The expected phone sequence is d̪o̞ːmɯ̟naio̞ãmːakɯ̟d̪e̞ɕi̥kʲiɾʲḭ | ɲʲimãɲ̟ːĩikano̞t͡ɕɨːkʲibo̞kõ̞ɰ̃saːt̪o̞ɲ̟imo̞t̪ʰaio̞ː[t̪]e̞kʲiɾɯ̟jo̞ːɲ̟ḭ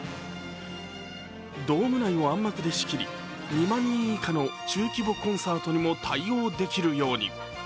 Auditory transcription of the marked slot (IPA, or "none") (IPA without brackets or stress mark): d̪